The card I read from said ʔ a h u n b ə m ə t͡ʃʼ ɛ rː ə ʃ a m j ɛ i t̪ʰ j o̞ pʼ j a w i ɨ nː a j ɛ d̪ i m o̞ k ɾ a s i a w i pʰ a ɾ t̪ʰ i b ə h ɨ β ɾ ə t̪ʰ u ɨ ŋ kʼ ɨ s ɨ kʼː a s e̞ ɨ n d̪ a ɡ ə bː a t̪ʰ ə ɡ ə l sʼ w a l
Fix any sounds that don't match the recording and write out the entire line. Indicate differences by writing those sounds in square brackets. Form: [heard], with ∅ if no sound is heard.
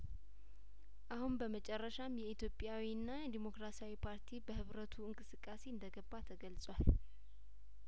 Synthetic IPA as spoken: ʔ a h u n b ə m ə t͡ʃʼ ɛ rː ə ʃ a m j ɛ i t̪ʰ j o̞ pʼ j a w i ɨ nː a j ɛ d̪ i m o̞ k ɾ a s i a w i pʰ a ɾ t̪ʰ i b ə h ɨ β ɾ ə t̪ʰ u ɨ ŋ kʼ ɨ s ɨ kʼː a s e̞ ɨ n d̪ [ə] ɡ ə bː a t̪ʰ ə ɡ ə l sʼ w a l